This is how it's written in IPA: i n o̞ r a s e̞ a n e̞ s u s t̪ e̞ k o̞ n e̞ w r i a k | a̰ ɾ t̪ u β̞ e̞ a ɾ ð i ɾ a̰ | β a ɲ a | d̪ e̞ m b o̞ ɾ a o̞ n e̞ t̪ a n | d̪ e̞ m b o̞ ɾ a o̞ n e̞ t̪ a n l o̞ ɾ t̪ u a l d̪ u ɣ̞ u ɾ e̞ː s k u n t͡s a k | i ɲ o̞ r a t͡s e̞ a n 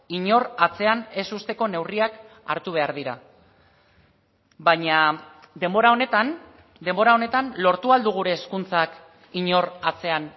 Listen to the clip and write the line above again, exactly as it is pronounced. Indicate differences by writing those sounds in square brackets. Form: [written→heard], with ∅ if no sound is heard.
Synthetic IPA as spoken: i [n→ɲ] o̞ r a [s→t͡s] e̞ a n e̞ s u s t̪ e̞ k o̞ n e̞ w r i a k | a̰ ɾ t̪ u β̞ e̞ a ɾ ð i ɾ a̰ | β a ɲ a | d̪ e̞ m b o̞ ɾ a o̞ n e̞ t̪ a n | d̪ e̞ m b o̞ ɾ a o̞ n e̞ t̪ a n l o̞ ɾ t̪ u a l d̪ u ɣ̞ u ɾ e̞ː s k u n t͡s a k | i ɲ o̞ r a t͡s e̞ a n